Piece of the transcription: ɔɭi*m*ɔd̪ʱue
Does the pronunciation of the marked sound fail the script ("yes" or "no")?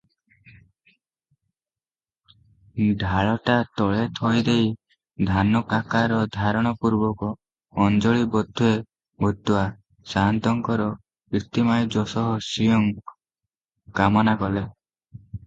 yes